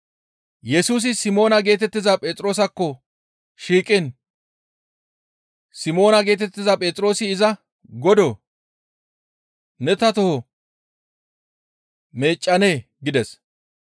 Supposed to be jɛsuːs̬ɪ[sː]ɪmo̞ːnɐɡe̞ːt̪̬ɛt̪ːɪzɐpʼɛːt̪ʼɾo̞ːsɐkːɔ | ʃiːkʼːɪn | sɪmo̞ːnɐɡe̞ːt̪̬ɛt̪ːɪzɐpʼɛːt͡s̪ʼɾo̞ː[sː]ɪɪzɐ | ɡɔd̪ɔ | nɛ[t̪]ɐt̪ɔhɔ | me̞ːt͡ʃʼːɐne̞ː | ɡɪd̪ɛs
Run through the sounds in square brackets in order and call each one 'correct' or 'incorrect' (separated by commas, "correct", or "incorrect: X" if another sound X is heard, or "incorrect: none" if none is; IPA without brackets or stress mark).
incorrect: s, incorrect: s, correct